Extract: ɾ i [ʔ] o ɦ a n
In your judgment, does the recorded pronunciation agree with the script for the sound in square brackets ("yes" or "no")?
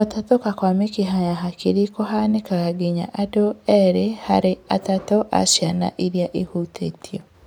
no